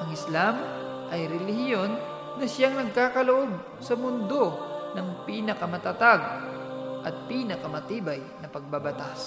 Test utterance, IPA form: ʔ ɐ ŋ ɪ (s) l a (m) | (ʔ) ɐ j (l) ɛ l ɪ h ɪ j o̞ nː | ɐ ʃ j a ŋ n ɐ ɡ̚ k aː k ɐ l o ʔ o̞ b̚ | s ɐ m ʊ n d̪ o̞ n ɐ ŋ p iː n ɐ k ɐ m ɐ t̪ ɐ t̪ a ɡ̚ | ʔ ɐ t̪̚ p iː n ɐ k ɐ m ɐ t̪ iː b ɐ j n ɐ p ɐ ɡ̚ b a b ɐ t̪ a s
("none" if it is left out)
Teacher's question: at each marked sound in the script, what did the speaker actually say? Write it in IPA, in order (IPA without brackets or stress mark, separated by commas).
s, m, ʔ, ɾ